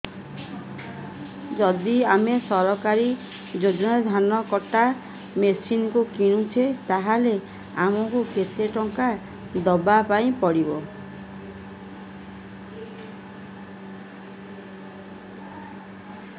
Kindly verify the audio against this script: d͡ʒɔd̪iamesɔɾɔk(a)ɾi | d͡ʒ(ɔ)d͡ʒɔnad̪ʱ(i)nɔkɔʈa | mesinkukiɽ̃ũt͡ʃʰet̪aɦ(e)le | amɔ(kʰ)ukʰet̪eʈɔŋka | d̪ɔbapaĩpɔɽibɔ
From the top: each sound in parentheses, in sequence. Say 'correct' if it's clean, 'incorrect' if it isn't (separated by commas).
correct, incorrect, incorrect, incorrect, incorrect